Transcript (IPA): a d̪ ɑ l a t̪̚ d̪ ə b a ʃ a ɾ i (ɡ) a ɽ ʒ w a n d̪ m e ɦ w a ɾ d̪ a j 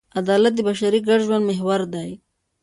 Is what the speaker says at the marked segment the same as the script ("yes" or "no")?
yes